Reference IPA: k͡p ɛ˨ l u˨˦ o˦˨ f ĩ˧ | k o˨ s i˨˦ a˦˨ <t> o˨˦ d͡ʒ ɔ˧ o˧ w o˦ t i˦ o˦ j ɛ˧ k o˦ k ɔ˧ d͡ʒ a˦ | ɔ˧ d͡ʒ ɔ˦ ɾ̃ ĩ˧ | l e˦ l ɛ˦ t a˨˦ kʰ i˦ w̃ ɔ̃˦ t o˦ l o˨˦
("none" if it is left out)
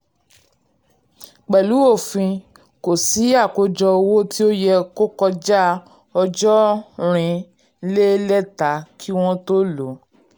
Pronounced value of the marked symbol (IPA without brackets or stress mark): k